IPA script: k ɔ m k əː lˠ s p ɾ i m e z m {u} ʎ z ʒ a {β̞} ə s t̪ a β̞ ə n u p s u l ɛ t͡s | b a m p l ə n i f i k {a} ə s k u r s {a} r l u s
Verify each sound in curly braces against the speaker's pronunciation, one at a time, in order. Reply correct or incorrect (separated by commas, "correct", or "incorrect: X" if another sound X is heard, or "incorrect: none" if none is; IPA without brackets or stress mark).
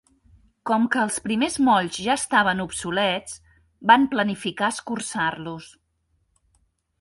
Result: incorrect: ɔ, incorrect: none, correct, correct